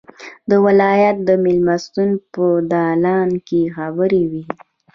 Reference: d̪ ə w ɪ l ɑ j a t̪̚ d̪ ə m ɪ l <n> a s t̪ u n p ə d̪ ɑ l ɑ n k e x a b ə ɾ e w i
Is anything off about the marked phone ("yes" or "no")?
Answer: yes